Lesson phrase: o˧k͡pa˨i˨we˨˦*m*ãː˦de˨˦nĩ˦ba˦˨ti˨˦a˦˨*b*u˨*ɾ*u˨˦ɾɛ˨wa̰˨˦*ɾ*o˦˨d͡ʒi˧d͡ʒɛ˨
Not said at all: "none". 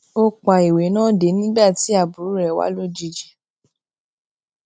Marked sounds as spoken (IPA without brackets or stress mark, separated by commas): n, b, ɾ, l